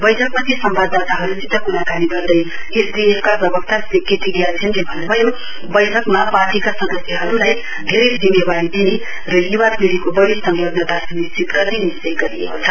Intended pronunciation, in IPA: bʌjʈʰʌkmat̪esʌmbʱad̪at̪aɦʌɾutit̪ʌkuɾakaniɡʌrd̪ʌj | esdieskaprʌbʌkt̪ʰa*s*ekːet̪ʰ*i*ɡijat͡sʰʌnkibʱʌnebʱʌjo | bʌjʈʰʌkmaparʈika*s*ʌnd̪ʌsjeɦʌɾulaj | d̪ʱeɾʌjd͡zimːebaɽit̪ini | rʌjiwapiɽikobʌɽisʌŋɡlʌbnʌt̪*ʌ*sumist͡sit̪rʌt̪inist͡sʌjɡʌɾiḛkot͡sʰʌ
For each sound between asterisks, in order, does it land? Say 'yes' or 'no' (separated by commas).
yes, yes, yes, no